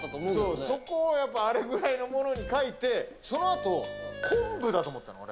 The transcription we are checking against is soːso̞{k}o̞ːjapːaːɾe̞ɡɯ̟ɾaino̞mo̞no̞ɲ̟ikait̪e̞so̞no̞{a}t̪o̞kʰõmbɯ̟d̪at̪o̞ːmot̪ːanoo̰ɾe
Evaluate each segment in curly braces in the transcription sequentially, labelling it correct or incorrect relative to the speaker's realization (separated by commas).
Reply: correct, correct